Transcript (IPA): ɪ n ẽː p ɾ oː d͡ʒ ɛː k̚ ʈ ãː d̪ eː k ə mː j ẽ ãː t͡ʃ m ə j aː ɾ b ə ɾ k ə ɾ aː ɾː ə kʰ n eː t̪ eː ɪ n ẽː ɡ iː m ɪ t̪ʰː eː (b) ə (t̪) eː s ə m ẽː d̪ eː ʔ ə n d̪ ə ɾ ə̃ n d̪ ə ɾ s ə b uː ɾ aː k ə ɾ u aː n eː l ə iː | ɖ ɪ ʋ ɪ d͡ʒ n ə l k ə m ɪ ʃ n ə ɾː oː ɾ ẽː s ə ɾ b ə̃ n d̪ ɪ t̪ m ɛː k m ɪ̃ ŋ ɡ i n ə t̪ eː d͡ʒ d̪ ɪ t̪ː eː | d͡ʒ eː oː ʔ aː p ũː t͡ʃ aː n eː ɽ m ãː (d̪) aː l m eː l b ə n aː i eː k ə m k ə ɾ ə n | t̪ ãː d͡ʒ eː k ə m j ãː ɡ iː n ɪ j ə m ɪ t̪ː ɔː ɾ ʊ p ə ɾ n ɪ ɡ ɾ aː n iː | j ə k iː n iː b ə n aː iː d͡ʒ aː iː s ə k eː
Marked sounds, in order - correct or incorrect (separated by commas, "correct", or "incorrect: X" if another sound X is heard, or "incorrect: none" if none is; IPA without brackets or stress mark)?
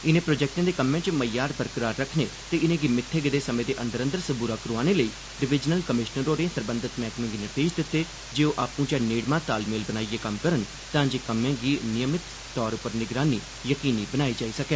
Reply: incorrect: ɡ, incorrect: d̪, incorrect: t̪